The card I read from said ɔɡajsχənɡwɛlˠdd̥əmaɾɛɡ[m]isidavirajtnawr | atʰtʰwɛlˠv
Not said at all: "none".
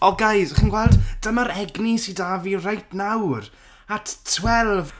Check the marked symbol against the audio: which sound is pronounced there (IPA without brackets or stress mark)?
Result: n